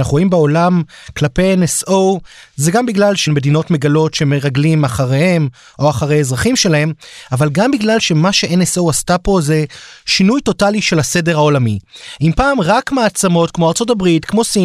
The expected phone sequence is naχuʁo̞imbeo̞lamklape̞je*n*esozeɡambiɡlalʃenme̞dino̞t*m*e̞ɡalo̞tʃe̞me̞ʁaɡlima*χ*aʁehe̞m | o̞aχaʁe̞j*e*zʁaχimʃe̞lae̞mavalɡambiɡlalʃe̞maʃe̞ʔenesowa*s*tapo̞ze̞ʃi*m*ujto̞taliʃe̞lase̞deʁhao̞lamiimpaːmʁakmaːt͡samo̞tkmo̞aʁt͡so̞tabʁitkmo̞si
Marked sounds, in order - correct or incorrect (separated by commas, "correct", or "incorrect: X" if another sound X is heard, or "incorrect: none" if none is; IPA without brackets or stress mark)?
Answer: correct, correct, correct, correct, correct, incorrect: n